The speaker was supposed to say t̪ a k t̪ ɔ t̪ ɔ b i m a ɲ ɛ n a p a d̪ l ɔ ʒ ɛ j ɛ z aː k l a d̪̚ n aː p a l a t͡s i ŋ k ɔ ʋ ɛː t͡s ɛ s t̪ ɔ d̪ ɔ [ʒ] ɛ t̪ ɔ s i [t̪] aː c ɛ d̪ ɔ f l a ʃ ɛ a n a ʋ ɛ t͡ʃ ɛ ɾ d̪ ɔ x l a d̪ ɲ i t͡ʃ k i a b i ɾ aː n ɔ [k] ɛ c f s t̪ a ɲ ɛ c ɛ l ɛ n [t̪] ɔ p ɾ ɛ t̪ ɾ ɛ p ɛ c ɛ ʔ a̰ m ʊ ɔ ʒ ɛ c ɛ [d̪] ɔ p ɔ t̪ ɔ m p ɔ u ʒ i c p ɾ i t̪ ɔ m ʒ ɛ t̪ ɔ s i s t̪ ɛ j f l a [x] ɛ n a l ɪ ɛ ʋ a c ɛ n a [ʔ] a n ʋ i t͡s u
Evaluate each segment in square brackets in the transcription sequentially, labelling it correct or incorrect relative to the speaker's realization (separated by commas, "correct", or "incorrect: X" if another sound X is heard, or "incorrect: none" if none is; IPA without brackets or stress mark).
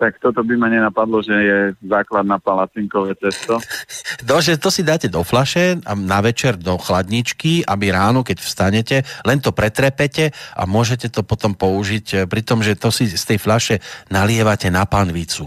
correct, incorrect: d̪, correct, correct, incorrect: t̪, incorrect: ʃ, incorrect: p